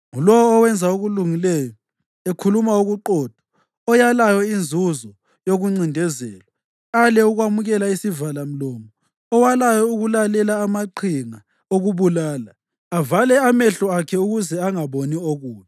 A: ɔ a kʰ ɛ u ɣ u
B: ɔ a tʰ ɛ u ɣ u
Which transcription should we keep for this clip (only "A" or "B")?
A